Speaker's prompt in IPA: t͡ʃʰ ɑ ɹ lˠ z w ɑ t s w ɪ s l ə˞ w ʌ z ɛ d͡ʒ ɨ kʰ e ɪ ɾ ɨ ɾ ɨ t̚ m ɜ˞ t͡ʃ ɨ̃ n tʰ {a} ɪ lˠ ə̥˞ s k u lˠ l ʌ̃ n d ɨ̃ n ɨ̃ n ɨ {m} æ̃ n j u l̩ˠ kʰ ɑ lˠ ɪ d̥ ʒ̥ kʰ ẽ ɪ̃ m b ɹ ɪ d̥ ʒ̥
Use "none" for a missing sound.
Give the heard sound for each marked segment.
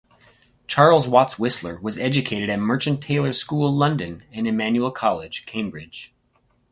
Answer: e, m

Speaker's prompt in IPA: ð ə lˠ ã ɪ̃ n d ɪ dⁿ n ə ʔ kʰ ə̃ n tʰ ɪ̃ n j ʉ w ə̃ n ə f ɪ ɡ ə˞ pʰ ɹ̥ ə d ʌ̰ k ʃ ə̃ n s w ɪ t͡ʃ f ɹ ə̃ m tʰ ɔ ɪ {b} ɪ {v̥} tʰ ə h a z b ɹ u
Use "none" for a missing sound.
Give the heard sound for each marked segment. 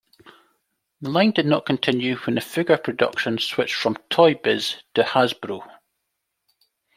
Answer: b, z̥

